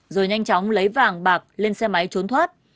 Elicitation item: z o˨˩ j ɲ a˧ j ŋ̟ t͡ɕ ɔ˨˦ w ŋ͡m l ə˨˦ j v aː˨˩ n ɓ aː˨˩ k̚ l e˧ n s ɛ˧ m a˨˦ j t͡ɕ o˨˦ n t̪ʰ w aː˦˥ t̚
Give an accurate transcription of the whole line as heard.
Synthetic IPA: z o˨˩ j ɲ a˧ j ŋ̟ t͡ɕ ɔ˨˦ w ŋ͡m l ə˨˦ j v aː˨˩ ŋ ɓ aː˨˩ k̚ l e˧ n s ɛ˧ m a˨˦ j t͡ɕ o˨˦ n t̪ʰ w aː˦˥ t̚

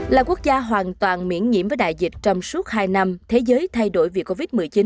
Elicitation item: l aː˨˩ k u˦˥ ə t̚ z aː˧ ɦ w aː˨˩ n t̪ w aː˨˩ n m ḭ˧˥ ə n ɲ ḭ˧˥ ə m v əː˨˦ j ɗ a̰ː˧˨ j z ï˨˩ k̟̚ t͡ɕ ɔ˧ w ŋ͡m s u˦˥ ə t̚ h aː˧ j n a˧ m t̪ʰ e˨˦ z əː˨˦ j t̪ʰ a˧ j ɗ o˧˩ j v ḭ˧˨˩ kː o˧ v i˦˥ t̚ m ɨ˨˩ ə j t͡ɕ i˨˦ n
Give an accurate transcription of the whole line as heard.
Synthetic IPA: l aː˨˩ k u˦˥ ə k̚ z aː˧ ɦ w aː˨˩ n t̪ w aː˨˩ n m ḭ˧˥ ə n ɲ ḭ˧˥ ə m v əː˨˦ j ɗ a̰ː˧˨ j z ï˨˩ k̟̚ t͡ɕ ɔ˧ w ŋ͡m s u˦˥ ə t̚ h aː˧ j n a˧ m t̪ʰ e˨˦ z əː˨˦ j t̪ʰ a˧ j ɗ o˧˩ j v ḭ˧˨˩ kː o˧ v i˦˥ t̚ m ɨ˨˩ ə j t͡ɕ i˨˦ n

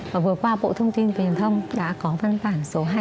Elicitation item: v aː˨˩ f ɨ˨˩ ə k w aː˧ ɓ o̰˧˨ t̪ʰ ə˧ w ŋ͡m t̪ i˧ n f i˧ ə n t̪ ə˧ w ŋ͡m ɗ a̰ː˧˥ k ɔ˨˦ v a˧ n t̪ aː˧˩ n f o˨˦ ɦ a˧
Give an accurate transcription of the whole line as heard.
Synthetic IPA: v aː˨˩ v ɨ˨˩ ə k w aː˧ ɓ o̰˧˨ t̪ʰ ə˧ w ŋ͡m t̪ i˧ n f i˨˩ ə n t̪ʰ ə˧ w ŋ͡m ɗ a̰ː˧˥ k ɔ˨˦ v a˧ n t̪ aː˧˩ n s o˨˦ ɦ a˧

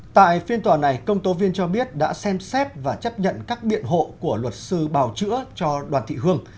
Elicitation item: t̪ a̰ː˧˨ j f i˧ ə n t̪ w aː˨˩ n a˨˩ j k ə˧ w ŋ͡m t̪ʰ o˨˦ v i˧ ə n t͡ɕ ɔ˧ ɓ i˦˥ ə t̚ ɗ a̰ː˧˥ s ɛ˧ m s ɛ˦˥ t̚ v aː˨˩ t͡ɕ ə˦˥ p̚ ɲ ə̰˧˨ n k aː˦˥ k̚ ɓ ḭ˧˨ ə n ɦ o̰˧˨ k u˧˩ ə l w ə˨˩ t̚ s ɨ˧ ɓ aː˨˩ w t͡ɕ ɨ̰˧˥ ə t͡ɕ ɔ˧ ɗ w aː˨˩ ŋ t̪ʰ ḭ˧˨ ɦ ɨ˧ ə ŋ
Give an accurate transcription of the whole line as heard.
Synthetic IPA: t̪ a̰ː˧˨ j f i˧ ə n t̪ w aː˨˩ n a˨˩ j k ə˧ w ŋ͡m t̪ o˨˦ v i˧ ə n t͡ɕ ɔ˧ ɓ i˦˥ ə t̚ ɗ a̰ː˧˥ s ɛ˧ m s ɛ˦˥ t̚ v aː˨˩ t͡ɕ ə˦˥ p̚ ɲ ə̰˧˨ n k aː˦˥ k̚ ɓ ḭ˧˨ ə n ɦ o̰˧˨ k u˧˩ ə l w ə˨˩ t̚ s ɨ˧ ɓ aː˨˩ w t͡ɕ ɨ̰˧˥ ə t͡ɕ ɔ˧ ɗ w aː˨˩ n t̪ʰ ḭ˧˨ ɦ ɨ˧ ə ŋ

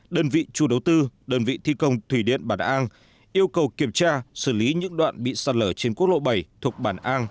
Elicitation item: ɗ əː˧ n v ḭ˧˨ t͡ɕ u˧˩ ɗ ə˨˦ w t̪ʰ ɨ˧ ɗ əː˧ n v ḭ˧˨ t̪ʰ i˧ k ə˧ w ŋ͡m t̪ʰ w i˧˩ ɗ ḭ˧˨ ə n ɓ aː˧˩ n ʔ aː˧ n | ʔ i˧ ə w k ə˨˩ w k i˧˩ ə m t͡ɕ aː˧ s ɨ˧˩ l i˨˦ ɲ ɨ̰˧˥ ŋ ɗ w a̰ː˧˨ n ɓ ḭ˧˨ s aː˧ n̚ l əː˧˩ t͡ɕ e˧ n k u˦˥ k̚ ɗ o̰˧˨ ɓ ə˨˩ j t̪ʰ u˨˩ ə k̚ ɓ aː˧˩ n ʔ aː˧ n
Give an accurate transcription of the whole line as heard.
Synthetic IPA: ɗ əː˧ n v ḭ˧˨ t͡ɕ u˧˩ ɗ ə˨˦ w t̪ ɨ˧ ɗ əː˧ n v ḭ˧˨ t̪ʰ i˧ k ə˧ w ŋ͡m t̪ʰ w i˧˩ ɗ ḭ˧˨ ə n ɓ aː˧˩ n ʔ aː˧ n | ʔ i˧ ə w k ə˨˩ w k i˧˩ ə m t͡ɕ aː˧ s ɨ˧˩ l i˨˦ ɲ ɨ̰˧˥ ŋ ɗ w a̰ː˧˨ n ɓ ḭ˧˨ s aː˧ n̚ l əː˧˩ t͡ɕ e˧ n k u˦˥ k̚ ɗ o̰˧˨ ɓ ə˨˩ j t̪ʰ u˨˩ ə k̚ ɓ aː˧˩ n ʔ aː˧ n

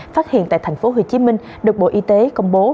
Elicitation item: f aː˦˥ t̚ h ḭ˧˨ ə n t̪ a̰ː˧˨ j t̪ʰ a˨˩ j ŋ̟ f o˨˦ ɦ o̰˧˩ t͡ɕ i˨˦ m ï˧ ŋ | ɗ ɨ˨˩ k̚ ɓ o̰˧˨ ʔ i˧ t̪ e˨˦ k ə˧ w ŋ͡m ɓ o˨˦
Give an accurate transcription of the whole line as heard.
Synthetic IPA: f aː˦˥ t̚ h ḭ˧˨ ə n t̪ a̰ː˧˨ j t̪ʰ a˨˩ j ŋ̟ f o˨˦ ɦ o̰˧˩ t͡ɕ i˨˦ m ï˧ ŋ | ɗ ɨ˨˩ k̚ ɓ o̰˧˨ ʔ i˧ t̪ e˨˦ k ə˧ w ŋ͡m ɓ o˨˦

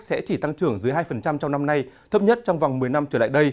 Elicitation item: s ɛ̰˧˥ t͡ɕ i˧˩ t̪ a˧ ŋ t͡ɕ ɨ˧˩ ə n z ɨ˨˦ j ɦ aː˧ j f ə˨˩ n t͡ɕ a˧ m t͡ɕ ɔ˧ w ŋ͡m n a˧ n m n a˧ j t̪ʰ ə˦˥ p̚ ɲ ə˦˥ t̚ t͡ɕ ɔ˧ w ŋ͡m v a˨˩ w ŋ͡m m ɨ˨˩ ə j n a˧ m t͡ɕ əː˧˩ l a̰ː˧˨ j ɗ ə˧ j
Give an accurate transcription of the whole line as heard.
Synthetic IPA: s ɛ̰˧˥ t͡ɕ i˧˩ t̪ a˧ ŋ t͡ɕ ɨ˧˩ ə ŋ z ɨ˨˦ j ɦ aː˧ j f ə˨˩ n t͡ɕ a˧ m t͡ɕ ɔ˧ w ŋ͡m n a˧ m n a˧ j t̪ʰ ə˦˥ p̚ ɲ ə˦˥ t̚ t͡ɕ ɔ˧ w ŋ͡m v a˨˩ w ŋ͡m m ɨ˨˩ ə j n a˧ m t͡ɕ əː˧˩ l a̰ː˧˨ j ɗ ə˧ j

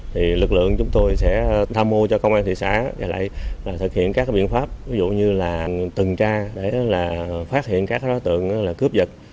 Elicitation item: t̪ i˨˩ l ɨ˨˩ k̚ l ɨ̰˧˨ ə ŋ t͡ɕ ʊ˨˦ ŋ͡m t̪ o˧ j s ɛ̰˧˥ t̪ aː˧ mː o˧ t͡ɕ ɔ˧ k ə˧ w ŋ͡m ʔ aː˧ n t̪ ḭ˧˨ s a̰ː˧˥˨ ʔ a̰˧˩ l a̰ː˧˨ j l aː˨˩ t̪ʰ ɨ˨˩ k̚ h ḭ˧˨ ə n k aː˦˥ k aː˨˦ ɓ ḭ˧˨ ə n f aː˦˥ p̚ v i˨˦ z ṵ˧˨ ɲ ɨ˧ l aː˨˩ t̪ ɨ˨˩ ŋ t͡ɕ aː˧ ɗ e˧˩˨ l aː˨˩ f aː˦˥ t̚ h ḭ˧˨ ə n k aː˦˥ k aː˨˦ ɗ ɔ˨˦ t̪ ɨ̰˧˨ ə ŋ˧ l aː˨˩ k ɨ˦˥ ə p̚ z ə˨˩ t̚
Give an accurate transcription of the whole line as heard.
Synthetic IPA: t̪ʰ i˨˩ l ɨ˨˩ k̚ l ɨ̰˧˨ ə ŋ t͡ɕ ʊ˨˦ ŋ͡m t̪ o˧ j s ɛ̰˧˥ t̪ʰ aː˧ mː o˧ t͡ɕ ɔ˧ k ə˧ w ŋ͡m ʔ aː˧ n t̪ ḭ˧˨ s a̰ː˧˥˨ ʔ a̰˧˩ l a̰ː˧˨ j l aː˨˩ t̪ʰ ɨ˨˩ k̚ h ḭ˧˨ ə n k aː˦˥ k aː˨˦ ɓ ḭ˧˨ ə n f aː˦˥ p̚ v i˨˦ z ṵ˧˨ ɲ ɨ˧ l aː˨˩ t̪ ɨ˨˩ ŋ t͡ɕ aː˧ ɗ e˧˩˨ l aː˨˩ f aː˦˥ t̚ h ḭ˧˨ ə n k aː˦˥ k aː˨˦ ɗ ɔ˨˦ t̪ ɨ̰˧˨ ə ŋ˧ l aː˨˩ k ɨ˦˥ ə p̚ z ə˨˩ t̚

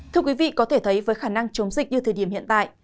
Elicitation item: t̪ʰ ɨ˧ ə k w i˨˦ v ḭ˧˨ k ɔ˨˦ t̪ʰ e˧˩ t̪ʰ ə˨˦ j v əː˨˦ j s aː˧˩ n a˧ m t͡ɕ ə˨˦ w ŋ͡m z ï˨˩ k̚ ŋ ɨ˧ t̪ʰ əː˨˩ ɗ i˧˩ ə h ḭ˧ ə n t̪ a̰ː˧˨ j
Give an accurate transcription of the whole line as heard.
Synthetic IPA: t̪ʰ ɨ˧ ə k w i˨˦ v ḭ˧˨ k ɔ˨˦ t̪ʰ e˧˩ t̪ʰ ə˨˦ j v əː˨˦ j x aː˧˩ n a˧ ŋ t͡ɕ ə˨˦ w ŋ͡m z ï˨˩ k̚ ɲ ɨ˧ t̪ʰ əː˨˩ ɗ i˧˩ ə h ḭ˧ ə n t̪ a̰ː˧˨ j

